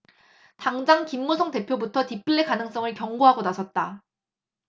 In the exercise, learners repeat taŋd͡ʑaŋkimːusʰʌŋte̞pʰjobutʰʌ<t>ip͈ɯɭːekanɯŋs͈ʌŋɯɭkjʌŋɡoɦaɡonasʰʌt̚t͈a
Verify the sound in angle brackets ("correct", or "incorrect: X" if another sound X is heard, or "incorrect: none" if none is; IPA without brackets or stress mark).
correct